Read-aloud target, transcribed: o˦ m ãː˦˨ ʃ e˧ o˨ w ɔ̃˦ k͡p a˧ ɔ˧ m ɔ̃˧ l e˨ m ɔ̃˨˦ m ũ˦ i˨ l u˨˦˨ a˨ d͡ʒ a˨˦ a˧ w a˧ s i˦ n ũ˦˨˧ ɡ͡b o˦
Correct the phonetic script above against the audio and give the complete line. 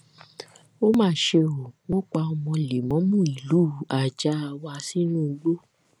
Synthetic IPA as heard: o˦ m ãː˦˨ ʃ e˧ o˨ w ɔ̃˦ k͡p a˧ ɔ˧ m ɔ̃˧ l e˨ m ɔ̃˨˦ m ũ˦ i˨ l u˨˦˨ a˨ d͡ʒ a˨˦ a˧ w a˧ s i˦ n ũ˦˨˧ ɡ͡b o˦